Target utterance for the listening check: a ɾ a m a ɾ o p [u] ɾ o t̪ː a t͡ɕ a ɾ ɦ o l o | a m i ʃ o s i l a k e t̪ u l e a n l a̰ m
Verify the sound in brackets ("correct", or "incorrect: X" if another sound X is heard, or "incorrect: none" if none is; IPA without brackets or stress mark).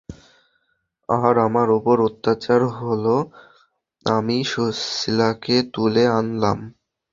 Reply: incorrect: o